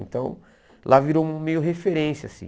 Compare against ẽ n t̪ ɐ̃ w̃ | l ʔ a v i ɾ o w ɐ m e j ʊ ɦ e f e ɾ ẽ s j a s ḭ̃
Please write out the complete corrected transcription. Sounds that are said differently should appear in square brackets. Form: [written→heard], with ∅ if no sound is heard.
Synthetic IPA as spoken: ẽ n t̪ ɐ̃ w̃ | l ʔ a v i ɾ o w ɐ m e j ʊ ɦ e f e ɾ ẽ s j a s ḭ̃